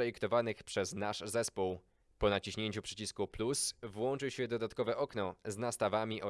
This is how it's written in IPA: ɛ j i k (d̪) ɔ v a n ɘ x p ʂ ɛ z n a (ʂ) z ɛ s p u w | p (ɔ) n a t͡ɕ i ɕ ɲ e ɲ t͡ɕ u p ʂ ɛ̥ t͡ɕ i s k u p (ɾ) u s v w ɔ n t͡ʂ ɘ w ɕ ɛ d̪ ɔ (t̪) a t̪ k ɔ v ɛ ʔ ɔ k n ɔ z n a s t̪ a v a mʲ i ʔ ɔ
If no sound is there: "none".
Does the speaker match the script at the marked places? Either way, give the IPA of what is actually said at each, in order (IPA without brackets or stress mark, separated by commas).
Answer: t̪, ʂ, ɔ, l, d̪